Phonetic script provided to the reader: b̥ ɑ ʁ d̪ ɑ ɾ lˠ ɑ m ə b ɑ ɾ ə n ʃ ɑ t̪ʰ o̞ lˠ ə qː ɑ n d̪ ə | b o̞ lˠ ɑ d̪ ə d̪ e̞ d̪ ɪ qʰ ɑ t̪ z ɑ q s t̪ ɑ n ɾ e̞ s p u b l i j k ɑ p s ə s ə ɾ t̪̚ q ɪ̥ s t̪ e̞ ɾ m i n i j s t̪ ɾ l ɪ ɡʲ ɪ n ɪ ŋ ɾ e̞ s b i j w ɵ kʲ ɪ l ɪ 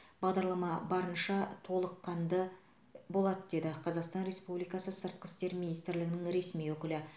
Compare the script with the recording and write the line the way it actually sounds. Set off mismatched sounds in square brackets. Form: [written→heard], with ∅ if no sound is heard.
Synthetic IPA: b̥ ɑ ʁ d̪ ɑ ɾ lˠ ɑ m [ə→ɑ] b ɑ ɾ ə n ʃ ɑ t̪ʰ o̞ lˠ ə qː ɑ n d̪ ə | b o̞ lˠ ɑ d̪ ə d̪ e̞ d̪ ɪ qʰ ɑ [t̪→∅] z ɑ q s t̪ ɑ n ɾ e̞ s p u b l i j k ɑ [p→∅] s ə s ə ɾ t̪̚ q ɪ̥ s t̪ e̞ ɾ m i n i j s t̪ ɾ l ɪ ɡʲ ɪ n ɪ ŋ ɾ e̞ s [b→m] i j w ɵ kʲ ɪ l ɪ